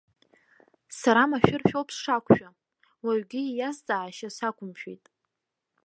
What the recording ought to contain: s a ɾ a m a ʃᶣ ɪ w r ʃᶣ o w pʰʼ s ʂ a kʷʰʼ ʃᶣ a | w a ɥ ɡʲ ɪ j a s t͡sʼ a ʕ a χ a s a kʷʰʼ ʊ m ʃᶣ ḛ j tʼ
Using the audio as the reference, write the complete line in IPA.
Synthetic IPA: s a ɾ a m a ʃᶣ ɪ r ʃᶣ o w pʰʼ s ʂ a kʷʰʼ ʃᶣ a | w a ɥ ɡʲ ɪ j a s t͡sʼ a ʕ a ʃ a s a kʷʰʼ ʊ m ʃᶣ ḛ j tʼ